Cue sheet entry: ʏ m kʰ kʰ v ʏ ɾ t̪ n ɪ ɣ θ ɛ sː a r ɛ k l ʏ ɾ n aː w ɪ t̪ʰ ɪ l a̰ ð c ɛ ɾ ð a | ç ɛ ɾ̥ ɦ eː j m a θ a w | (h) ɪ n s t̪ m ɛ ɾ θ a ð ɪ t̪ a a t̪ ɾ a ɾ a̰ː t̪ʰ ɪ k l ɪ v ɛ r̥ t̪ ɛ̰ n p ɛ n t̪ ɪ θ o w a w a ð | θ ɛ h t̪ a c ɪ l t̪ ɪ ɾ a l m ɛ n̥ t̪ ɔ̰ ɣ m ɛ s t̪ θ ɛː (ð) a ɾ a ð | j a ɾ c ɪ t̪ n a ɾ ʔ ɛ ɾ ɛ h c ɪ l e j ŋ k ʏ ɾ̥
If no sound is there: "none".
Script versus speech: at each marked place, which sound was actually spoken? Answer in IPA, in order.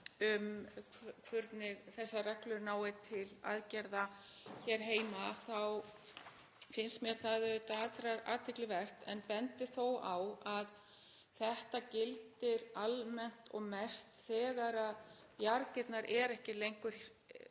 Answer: f, ɣ

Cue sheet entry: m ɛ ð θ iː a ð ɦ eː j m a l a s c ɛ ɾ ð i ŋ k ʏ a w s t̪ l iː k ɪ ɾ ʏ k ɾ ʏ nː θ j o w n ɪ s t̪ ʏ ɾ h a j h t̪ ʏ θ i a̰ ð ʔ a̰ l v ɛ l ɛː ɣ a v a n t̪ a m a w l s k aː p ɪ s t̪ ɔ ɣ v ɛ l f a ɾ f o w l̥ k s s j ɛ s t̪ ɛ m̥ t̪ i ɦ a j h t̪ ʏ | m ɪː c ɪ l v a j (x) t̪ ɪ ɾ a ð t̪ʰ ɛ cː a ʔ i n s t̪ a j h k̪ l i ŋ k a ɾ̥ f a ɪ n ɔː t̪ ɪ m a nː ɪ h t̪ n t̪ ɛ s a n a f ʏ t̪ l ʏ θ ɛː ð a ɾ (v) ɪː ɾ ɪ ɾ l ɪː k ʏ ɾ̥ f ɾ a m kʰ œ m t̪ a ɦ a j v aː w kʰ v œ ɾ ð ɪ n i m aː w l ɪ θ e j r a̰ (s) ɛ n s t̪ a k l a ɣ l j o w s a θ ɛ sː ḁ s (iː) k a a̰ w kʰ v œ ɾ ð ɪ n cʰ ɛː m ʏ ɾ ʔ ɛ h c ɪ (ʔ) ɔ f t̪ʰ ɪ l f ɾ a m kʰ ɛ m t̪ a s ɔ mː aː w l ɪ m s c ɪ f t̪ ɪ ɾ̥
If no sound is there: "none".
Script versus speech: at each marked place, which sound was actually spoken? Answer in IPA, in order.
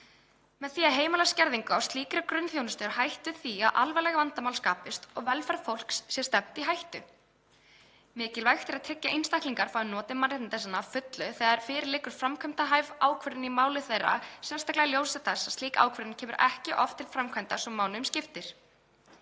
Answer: x, f, s, iː, ʔ

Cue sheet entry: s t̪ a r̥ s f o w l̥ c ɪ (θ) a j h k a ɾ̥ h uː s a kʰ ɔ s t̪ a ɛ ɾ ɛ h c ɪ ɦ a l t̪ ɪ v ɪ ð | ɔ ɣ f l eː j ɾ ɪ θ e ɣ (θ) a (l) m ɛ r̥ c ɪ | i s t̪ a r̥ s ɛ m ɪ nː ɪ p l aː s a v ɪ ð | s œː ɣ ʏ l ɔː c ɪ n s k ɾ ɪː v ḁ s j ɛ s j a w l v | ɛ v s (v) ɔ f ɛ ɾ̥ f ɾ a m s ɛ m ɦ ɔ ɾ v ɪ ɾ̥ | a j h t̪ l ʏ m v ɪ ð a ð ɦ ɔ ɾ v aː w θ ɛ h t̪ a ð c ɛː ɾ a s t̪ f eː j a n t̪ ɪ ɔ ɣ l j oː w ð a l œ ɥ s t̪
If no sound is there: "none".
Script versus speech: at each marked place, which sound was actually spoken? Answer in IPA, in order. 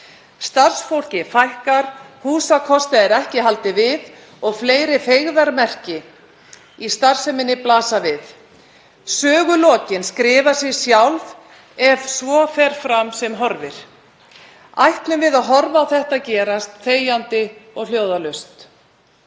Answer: f, ð, ɾ, v

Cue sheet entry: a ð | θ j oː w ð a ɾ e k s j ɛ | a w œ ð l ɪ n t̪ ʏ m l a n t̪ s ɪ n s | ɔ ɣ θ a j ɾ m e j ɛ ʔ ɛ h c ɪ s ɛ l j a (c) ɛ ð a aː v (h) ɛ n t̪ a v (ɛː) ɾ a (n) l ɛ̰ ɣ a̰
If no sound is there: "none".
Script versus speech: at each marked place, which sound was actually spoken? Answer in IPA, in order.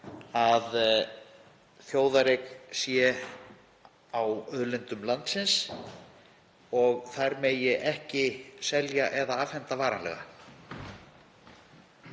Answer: ʔ, h, aː, n

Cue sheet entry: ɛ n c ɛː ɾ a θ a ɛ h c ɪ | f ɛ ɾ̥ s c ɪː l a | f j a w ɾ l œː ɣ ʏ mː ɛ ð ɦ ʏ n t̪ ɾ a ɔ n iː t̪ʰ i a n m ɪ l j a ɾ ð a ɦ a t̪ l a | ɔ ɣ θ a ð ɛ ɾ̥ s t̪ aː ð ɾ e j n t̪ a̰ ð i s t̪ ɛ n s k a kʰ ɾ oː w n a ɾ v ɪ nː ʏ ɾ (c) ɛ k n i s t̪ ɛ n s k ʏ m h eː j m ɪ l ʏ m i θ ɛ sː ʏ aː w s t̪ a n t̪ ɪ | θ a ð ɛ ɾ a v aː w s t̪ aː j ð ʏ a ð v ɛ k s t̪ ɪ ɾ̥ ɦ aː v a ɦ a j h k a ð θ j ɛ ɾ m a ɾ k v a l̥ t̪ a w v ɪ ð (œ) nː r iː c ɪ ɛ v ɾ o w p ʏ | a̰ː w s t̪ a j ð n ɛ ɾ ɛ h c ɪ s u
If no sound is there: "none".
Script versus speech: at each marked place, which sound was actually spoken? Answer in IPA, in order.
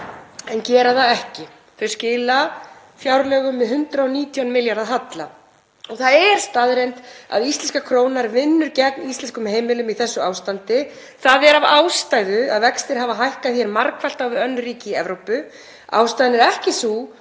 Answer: c, œ

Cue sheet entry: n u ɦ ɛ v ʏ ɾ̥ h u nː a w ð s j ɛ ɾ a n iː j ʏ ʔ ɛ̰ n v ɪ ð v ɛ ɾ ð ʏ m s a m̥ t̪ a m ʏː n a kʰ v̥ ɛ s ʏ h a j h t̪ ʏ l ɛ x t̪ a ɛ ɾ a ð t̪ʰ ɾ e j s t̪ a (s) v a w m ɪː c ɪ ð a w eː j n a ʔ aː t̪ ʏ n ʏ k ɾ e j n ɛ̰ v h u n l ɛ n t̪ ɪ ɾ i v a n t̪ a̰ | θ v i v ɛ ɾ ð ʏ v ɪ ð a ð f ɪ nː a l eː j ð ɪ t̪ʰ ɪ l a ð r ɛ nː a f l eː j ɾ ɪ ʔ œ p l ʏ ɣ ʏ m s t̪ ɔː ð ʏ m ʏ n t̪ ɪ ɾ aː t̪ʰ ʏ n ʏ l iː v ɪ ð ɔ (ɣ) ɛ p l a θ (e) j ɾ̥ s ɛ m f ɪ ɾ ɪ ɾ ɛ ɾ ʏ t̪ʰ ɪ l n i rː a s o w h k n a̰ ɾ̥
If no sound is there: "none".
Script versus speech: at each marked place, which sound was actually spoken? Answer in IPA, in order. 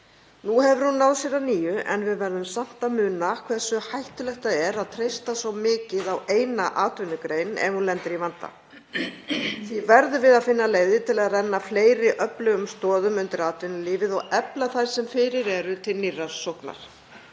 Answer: s, ɣ, a

